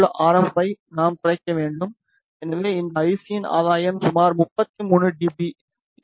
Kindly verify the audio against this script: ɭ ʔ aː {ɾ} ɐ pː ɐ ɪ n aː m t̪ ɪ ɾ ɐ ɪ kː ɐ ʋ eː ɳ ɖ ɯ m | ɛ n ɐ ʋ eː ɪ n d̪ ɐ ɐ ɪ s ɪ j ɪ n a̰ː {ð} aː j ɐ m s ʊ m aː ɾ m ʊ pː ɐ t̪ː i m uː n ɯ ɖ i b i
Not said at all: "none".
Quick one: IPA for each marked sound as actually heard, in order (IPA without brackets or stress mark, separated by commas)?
ɾ, ð